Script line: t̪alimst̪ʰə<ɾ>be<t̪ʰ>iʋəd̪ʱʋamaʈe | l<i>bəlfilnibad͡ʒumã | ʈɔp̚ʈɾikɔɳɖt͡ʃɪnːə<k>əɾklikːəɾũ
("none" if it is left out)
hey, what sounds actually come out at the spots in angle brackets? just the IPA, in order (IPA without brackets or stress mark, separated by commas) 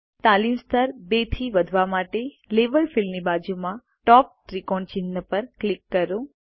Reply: ɾ, t̪ʰ, e, p